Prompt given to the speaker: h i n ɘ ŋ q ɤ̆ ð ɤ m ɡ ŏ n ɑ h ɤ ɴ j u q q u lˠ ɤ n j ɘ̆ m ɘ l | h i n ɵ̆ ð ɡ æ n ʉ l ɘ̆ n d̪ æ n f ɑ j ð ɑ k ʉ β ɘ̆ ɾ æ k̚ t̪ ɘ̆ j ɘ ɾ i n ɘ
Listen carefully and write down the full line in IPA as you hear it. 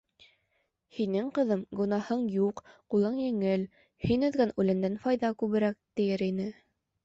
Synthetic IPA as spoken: h i n ɘ ŋ q ɤ̆ ð ɤ m ɡ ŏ n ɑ h ɤ ɴ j u q q u lˠ ɤ ɴ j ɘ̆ ŋ ɘ l | h i n ɵ̆ ð ɡ æ n ʉ l ɘ̆ n d̪ æ n f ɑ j ð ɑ k ʉ β ɘ̆ ɾ æ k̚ t̪ ɘ̆ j ɘ ɾ i n ɘ